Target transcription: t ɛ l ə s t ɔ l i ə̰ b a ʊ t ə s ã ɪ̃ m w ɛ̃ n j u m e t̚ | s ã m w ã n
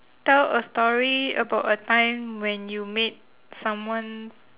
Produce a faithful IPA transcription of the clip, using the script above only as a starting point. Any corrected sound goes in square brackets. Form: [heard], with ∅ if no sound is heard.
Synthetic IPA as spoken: t ɛ l ə s t ɔ [ɹ] i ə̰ b a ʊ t ə [t] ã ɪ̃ m w ɛ̃ n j u m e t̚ | s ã m w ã n